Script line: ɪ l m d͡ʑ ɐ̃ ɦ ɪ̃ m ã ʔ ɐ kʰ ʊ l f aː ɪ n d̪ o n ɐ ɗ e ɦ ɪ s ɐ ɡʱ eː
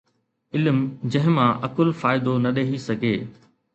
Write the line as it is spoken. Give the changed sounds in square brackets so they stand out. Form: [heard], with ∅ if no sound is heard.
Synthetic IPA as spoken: ɪ l m d͡ʑ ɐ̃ ɦ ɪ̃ m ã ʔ ɐ [k] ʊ l f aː ɪ [∅] d̪ o n ɐ ɗ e ɦ [i] s ɐ ɡʱ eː